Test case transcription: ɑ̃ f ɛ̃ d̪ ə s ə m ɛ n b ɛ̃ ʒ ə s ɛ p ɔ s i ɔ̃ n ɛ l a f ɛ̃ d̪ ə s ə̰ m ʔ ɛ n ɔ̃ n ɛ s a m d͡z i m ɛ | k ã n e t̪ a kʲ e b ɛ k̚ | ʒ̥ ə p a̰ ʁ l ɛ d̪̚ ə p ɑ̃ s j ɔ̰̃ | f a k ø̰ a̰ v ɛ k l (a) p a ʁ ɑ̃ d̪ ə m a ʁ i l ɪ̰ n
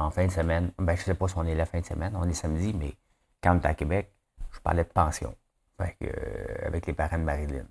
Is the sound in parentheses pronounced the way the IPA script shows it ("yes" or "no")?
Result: no